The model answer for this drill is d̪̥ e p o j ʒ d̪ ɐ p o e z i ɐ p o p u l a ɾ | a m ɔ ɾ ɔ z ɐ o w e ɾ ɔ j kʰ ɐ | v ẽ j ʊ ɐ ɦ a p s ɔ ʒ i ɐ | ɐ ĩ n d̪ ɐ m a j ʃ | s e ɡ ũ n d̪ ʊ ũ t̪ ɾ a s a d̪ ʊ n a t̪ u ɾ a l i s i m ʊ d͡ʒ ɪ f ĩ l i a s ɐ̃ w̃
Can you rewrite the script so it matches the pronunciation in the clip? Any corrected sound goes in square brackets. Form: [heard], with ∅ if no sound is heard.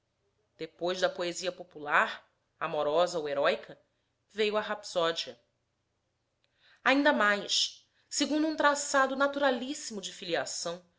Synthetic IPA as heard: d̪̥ e p o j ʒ d̪ ɐ p o e z i ɐ p o p u l a ɾ | a m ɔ ɾ ɔ z ɐ o w e ɾ ɔ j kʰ ɐ | v [e] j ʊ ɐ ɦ a p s ɔ [d͡ʒ] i ɐ | [a] ĩ n d̪ ɐ m a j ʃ | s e ɡ ũ n d̪ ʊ ũ t̪ ɾ a s a d̪ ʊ n a t̪ u ɾ a l i s i m ʊ d͡ʒ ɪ f [i] l i a s ɐ̃ w̃